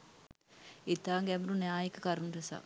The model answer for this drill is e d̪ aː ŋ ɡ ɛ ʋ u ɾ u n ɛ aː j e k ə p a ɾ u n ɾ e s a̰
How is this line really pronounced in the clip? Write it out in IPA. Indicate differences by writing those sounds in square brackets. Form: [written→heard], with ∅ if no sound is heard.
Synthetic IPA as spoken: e [d̪→t̪] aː ŋ ɡ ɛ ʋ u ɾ u n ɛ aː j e k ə [p→k] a ɾ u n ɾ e s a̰